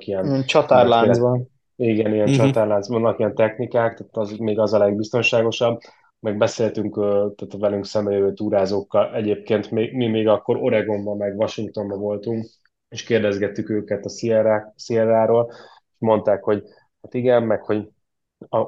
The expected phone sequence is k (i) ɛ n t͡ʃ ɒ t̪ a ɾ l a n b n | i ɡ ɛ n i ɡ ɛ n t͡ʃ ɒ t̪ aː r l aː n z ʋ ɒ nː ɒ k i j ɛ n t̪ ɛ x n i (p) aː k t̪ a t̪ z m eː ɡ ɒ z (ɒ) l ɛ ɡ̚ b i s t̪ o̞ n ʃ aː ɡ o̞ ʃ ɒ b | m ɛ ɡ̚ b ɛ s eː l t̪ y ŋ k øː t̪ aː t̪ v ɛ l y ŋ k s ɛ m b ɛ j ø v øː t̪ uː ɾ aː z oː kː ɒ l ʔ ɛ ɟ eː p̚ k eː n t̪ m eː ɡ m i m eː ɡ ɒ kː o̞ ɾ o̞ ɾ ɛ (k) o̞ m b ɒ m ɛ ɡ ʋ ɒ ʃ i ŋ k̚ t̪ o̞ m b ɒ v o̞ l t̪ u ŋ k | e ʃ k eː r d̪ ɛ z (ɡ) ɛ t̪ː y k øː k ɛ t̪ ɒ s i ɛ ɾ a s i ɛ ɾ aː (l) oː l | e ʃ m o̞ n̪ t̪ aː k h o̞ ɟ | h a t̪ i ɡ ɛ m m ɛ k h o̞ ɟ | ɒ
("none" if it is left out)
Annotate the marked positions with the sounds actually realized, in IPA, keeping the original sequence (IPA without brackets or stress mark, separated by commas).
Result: i, k, ɒ, ɡ, ɡ, ɾ